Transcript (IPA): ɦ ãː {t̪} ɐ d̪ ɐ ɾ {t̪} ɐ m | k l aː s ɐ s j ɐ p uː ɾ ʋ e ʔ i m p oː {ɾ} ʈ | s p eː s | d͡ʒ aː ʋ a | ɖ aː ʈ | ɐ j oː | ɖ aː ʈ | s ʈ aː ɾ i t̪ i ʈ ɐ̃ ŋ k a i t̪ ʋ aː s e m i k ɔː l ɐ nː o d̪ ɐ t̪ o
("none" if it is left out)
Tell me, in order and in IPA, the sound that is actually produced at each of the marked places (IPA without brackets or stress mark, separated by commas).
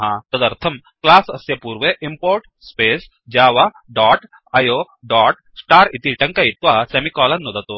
t̪, t̪ʰ, ɾ